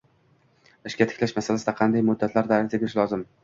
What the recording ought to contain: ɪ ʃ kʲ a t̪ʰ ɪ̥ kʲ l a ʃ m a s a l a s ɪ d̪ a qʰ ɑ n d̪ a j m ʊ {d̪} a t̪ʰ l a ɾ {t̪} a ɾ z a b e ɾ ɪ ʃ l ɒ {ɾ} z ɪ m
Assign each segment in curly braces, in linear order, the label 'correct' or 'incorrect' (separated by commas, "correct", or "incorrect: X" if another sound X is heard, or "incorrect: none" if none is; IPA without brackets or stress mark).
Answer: incorrect: d̪ː, incorrect: d̪, incorrect: none